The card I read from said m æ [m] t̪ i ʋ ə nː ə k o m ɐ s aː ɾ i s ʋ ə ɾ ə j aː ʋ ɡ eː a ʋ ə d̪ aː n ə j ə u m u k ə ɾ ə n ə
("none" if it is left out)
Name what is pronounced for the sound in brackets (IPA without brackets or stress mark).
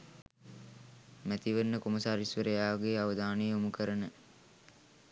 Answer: none